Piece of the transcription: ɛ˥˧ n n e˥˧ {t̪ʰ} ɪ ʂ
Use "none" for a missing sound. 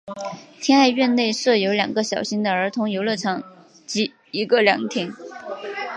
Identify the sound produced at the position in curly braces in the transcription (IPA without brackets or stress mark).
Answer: none